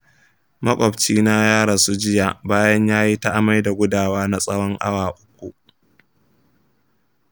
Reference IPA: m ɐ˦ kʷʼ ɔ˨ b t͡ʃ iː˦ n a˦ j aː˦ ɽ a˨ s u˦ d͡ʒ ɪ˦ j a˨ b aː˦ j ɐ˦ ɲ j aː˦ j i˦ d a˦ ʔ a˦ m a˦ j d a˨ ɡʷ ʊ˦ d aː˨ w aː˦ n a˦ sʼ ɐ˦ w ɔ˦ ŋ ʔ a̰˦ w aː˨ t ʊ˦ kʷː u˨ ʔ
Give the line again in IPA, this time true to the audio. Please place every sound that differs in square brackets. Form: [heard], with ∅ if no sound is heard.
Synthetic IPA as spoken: m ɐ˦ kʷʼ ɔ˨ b t͡ʃ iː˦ n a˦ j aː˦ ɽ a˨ s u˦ d͡ʒ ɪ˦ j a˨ b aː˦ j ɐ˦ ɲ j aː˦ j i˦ [t] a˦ ʔ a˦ m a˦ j d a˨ ɡʷ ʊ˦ d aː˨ w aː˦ n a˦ sʼ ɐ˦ w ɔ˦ ŋ ʔ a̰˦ w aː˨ [ʔ] ʊ˦ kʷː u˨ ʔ